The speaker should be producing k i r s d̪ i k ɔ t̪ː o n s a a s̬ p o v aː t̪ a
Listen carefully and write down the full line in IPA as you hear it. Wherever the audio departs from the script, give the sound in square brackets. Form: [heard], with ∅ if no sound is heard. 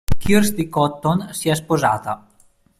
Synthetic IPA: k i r s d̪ i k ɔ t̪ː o n s [i] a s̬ p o [z] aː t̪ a